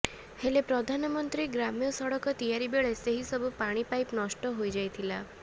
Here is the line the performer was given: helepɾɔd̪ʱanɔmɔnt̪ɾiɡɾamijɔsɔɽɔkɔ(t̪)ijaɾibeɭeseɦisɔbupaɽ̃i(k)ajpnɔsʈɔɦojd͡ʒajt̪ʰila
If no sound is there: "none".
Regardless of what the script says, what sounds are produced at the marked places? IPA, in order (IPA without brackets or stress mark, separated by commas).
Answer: t̪, p